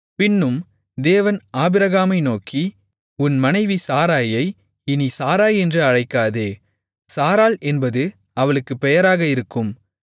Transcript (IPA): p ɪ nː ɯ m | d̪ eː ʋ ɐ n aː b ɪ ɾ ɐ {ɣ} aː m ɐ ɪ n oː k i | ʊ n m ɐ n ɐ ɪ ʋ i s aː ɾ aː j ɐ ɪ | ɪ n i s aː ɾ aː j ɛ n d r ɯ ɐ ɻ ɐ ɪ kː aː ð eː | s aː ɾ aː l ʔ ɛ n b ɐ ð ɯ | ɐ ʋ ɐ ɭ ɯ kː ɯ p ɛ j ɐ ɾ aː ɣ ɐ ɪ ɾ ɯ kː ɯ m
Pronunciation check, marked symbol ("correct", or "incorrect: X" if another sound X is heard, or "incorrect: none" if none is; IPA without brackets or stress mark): correct